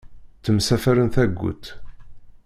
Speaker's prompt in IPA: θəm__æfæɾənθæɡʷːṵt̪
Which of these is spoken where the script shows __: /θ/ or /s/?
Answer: s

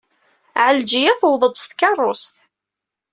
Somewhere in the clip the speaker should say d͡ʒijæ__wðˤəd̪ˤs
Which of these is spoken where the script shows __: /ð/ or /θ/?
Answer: θ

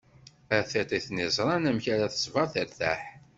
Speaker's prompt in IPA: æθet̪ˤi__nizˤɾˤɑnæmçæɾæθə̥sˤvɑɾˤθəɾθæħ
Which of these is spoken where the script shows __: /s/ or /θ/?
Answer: θ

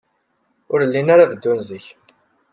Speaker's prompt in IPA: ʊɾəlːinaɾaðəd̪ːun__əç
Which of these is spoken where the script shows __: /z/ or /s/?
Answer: z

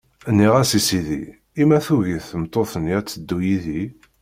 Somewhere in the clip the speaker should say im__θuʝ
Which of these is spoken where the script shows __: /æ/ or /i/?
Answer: æ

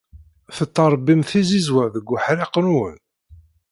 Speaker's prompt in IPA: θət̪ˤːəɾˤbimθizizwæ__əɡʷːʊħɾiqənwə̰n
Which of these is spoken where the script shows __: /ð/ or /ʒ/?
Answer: ð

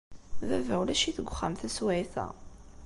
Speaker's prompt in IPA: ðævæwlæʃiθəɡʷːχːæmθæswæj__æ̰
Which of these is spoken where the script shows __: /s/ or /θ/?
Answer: θ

